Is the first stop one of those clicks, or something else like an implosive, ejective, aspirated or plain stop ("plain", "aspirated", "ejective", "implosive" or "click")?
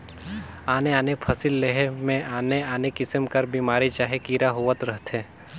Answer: aspirated